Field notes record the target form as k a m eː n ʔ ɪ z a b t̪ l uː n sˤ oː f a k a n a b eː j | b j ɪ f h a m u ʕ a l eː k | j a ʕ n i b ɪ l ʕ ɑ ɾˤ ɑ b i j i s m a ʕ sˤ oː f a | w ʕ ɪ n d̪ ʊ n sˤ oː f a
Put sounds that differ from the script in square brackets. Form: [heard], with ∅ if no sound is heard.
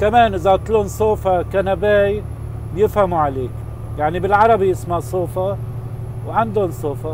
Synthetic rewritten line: k a m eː n ʔ ɪ z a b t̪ l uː n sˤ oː f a k a n a b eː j | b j ɪ f h a m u ʕ a l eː k | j a ʕ n i b ɪ l ʕ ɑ ɾˤ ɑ b i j [ɪ] s m a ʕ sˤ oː f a | w ʕ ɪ n d̪ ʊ n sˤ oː f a